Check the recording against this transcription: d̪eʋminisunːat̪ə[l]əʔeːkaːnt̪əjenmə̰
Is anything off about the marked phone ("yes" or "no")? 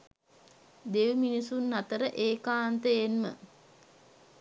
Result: yes